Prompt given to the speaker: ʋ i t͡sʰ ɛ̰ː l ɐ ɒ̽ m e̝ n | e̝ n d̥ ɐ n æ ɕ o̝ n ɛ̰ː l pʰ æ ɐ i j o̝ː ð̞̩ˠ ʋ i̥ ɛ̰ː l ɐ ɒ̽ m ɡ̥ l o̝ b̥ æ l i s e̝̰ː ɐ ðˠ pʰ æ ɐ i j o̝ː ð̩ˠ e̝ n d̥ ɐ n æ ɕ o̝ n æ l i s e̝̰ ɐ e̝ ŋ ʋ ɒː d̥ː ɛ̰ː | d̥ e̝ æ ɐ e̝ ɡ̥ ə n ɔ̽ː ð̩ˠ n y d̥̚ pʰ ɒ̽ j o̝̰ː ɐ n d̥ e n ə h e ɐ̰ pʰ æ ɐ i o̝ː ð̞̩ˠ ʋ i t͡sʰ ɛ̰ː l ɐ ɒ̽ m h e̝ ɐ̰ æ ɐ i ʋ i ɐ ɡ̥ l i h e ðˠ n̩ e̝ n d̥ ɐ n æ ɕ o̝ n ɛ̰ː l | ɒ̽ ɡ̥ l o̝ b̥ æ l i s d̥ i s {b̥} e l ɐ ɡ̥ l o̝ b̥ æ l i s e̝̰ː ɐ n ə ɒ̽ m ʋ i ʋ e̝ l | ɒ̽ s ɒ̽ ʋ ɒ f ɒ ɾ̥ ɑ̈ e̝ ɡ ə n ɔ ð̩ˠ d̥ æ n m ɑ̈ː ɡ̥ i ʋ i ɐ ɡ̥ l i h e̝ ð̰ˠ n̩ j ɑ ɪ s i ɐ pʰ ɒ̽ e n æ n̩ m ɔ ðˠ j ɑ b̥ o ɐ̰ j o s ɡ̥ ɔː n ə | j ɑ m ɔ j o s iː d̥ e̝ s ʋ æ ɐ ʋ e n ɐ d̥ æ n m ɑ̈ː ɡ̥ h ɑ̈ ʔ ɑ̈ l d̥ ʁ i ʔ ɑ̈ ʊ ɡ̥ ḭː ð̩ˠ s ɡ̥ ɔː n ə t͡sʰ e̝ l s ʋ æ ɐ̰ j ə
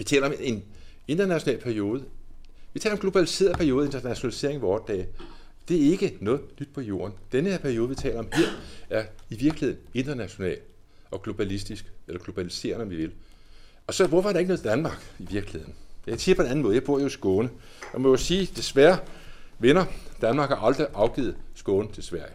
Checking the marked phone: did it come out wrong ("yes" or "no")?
yes